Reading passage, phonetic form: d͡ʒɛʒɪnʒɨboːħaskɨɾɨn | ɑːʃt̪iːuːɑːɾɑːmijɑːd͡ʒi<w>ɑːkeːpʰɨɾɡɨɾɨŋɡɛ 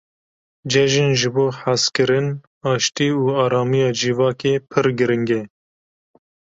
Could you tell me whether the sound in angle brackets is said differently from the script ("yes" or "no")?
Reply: yes